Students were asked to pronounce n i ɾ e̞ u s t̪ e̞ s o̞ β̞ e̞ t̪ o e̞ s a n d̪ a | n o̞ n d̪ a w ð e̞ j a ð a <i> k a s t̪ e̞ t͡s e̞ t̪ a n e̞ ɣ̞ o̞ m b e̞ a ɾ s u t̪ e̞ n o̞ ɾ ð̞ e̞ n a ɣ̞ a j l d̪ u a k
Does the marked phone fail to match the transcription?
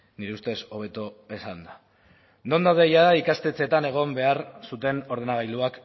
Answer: no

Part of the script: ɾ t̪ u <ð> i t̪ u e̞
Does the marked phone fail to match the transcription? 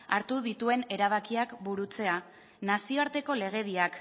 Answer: no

